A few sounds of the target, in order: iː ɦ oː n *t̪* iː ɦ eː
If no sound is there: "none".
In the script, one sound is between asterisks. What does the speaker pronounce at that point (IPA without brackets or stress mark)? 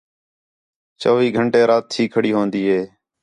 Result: d̪